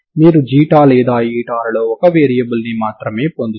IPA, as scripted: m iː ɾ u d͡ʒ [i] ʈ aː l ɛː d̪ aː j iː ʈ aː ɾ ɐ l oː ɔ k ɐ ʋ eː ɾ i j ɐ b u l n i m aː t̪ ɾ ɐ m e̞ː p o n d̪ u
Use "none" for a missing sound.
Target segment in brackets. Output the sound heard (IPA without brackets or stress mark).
iː